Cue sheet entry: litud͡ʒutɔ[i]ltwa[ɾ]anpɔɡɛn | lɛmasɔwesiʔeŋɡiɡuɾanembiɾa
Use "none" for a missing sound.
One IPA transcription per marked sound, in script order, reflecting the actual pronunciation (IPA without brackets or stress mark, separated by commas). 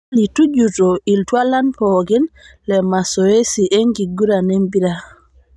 i, l